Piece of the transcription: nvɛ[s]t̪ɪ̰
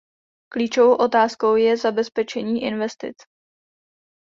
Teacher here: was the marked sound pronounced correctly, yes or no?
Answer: yes